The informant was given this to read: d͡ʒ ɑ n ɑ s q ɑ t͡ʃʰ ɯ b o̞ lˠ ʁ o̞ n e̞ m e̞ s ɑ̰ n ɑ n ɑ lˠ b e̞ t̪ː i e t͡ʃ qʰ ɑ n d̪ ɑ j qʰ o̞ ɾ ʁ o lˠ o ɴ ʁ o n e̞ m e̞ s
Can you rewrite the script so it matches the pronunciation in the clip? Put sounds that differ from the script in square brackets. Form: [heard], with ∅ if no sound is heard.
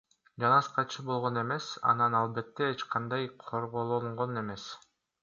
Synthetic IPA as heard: d͡ʒ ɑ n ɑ s q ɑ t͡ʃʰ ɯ b o̞ lˠ ʁ o̞ n e̞ m e̞ s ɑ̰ n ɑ n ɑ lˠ b e̞ t̪ː [e] e t͡ʃ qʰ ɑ n d̪ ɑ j qʰ o̞ ɾ ʁ o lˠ o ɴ ʁ o n e̞ m e̞ s